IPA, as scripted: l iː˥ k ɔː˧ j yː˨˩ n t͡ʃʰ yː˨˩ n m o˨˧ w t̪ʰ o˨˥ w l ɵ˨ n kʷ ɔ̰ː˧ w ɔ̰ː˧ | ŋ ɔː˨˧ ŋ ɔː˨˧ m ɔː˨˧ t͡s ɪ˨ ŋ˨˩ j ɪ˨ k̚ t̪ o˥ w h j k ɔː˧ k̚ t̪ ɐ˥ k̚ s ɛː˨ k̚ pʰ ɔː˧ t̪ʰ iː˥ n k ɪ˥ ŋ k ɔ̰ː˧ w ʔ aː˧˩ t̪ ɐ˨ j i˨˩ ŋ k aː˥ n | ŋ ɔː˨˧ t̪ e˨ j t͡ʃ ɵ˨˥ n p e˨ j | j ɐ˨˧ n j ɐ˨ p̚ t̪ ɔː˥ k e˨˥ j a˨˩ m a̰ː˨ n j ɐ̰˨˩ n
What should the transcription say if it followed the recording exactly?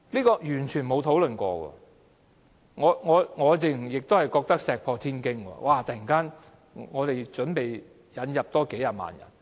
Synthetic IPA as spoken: l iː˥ k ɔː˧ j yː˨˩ n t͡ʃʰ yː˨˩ n m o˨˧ w t̪ʰ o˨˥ w l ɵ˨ n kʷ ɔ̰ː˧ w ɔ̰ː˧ | ŋ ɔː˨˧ ŋ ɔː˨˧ ŋ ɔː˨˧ t͡s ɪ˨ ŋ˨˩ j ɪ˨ k̚ t̪ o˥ w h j k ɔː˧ k̚ t̪ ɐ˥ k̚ s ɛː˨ k̚ pʰ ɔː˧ t̪ʰ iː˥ n k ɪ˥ ŋ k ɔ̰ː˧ w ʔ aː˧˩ t̪ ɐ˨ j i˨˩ ŋ k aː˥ n | ŋ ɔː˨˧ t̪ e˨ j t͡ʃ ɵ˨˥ n p e˨ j | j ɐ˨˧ n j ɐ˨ p̚ t̪ ɔː˥ k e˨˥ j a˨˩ m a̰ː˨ n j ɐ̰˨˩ n